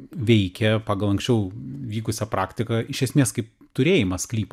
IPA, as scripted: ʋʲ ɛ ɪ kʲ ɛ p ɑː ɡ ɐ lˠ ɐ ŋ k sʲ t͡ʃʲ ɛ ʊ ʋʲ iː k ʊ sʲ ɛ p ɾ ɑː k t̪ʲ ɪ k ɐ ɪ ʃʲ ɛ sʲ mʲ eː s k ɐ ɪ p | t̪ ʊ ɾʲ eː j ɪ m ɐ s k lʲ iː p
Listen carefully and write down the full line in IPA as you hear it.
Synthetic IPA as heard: ʋʲ ɛ ɪ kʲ ɛ p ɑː ɡ ɐ lˠ ɐ ŋ k sʲ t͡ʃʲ ɛ ʊ ʋʲ iː k ʊ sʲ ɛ p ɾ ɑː k t̪ʲ ɪ k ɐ ɪ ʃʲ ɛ sʲ mʲ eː s k ɐ ɪ p | t̪ ʊ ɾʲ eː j ɪ m ɐ s k lʲ iː p